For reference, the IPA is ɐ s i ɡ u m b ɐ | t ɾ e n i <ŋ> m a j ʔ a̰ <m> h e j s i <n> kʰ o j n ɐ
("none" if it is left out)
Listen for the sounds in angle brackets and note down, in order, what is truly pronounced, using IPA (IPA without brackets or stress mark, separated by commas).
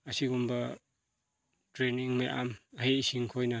ŋ, m, ŋ